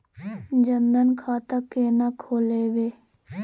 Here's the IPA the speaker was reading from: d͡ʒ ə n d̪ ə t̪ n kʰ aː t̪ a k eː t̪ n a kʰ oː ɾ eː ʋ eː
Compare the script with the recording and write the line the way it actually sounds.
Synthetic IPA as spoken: d͡ʒ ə n d̪ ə n kʰ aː t̪ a k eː n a kʰ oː l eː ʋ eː

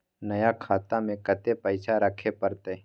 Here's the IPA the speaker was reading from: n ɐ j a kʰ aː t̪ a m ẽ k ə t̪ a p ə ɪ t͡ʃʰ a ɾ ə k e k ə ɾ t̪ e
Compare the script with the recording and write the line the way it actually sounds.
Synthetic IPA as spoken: n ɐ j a kʰ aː t̪ a m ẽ k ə t̪ e p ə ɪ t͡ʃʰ a ɾ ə kʰ e p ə ɾ t̪ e

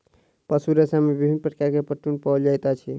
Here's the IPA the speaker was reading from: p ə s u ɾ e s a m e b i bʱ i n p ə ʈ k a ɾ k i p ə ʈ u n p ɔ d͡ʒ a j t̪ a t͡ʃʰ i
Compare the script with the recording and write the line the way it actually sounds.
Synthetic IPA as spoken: p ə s u ɾ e s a m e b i bʱ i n p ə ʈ k a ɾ k e p ə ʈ u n p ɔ d͡ʒ a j t̪ a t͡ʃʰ i

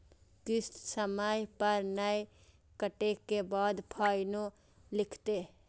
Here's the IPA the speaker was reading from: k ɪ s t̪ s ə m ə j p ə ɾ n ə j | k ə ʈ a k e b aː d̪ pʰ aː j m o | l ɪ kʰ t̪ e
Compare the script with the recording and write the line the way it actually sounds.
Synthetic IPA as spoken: k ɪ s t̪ s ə m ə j p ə ɾ n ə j | k ə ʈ e k e b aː d̪ pʰ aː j n o | l ɪ kʰ t̪ e

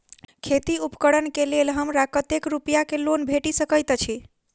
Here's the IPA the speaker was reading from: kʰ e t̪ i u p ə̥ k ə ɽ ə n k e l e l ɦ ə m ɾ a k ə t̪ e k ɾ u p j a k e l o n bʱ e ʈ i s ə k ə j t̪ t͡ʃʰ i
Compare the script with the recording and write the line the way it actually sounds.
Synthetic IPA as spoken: kʰ e t̪ i u p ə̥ k ə ɽ ə n k e l e l ɦ ə m ɾ a k ə t̪ e k ɾ u p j a k e l o n bʱ e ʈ i s ə k ə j t̪ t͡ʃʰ i

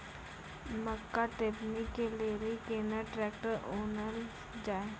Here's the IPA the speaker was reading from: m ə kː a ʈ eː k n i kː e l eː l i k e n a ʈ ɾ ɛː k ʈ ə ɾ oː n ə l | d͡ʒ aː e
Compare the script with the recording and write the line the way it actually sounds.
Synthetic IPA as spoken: m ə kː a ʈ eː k n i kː e l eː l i k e n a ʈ ɾ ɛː k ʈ ə ɾ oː n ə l | d͡ʒ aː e

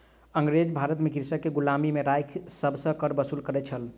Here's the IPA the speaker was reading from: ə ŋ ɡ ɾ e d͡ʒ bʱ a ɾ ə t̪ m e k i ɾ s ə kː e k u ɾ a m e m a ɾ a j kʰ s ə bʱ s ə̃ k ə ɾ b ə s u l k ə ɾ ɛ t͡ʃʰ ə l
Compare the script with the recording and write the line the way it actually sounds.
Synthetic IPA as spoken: ə ŋ ɡ ɾ e d͡ʒ bʱ a ɾ ə t̪ m e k i ɾ s ə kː e ɡ u l a m i m e ɾ a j kʰ s ə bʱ s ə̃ k ə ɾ b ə s u l k ə ɾ ɛ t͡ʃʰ ə l

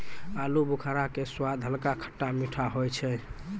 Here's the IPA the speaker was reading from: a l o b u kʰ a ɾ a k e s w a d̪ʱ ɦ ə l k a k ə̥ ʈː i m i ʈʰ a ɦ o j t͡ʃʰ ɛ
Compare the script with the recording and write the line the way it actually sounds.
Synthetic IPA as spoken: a l u b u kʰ a ɾ a k e s w a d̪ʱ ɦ ə l k a kʰ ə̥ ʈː a m i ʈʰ a ɦ o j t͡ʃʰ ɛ

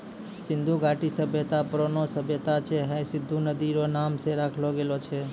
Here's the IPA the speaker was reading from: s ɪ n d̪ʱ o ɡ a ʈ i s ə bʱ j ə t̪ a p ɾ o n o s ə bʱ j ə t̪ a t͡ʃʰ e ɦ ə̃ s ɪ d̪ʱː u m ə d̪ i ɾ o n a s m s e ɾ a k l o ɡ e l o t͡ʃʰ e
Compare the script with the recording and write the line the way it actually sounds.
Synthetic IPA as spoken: s ɪ n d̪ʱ u ɡ a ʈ i s ə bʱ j ə t̪ a p ɾ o n o s ə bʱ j ə t̪ a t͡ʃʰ e ɦ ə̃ s ɪ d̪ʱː u n ə d̪ i ɾ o n a m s e ɾ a kʰ l o ɡ e l o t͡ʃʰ e

